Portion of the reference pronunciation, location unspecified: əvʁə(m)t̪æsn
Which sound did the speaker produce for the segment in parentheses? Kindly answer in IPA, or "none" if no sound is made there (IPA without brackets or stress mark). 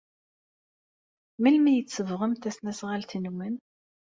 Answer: m